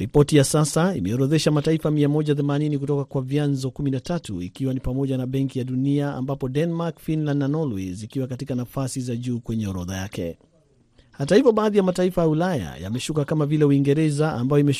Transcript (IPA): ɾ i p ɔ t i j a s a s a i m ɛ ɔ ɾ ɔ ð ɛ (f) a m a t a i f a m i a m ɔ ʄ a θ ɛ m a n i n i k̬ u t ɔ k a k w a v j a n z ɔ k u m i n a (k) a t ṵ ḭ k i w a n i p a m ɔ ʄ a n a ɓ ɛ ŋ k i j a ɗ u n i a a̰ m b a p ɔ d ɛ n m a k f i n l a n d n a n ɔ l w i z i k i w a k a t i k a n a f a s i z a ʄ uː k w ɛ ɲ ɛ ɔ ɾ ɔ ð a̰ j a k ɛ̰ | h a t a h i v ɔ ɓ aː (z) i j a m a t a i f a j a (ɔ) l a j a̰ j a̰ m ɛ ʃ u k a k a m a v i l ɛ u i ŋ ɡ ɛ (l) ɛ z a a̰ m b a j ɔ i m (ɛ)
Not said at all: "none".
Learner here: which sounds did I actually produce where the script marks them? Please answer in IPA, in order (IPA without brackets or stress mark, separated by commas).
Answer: ʃ, t, ð, u, ɾ, ɛ